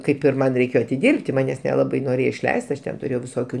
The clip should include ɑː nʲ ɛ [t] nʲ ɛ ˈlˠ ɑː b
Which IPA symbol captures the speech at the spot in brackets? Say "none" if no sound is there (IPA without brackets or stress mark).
s